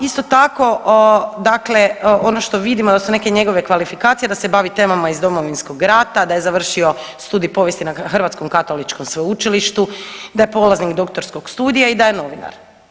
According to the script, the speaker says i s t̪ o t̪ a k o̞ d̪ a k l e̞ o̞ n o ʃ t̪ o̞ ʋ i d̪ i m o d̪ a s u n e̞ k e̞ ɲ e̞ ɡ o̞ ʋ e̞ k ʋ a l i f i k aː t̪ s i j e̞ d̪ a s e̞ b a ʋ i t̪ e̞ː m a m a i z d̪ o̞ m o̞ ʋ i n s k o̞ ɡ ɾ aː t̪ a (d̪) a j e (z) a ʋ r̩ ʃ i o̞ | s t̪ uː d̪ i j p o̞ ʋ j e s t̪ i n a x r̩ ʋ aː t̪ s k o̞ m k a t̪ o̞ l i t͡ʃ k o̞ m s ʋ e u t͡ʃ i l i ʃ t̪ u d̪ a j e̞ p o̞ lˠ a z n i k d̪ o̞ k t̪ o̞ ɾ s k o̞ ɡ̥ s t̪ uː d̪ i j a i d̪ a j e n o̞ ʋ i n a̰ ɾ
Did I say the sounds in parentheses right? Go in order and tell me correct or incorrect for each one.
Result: correct, correct

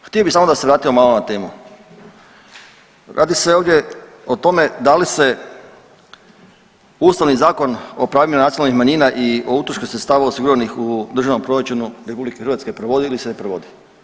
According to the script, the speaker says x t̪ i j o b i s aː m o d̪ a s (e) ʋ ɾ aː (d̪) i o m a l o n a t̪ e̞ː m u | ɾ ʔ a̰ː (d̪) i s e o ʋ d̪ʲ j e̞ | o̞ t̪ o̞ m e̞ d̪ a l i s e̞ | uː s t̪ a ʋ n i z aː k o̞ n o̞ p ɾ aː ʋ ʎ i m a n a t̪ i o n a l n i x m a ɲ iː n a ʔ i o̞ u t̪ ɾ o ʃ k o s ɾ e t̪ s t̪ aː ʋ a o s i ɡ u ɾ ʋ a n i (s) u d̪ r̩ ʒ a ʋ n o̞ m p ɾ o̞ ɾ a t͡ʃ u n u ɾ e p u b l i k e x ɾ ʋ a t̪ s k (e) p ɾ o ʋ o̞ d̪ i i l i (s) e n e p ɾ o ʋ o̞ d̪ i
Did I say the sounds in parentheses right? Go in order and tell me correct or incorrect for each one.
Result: correct, incorrect: t̪, correct, incorrect: x, correct, correct

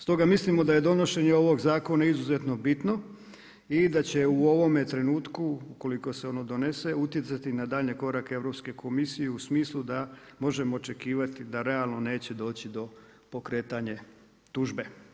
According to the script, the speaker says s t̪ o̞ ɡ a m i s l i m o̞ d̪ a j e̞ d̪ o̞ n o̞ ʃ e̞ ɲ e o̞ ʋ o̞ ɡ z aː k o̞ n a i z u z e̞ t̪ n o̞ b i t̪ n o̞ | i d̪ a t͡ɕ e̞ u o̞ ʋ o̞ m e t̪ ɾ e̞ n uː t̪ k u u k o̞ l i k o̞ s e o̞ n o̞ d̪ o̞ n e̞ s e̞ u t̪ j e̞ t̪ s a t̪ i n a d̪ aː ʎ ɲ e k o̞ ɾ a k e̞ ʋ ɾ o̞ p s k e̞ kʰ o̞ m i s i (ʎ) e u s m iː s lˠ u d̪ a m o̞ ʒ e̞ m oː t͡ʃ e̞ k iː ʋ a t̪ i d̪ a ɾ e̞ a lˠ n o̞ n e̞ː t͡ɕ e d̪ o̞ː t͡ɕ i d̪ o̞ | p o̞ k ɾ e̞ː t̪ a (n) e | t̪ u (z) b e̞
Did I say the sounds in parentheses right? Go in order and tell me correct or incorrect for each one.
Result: incorrect: j, incorrect: ɲ, incorrect: ʒ

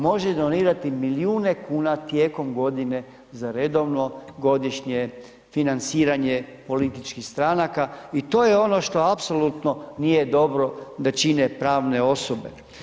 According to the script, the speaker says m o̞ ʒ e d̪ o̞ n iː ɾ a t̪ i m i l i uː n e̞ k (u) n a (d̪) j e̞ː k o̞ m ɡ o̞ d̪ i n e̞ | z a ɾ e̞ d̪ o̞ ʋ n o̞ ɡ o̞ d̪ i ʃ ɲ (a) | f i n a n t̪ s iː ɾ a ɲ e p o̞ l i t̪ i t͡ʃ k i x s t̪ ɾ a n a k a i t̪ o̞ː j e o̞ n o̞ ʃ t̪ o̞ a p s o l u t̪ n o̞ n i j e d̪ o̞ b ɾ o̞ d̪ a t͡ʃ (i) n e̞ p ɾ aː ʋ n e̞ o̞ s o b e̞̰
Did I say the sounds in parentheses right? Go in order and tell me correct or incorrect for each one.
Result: incorrect: uː, incorrect: t̪, incorrect: e, correct

